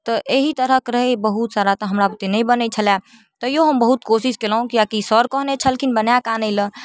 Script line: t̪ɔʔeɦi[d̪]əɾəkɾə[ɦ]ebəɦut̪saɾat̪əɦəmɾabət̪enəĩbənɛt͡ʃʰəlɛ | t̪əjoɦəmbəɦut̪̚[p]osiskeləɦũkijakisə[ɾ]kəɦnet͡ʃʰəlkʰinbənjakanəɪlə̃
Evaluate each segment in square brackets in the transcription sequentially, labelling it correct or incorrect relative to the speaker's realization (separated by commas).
incorrect, correct, incorrect, correct